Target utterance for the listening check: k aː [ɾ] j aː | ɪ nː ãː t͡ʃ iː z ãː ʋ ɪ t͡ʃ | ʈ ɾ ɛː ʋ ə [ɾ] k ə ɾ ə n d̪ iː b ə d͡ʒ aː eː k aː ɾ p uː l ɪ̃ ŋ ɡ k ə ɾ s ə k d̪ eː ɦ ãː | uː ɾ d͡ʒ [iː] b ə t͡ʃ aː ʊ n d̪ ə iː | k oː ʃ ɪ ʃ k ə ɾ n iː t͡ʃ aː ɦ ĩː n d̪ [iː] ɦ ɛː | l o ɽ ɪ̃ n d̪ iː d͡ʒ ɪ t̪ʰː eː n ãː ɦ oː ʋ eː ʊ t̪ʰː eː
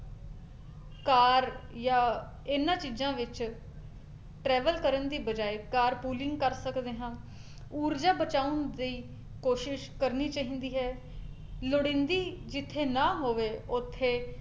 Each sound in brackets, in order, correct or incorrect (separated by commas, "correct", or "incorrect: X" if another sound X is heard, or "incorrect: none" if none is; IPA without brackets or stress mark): correct, incorrect: l, incorrect: aː, correct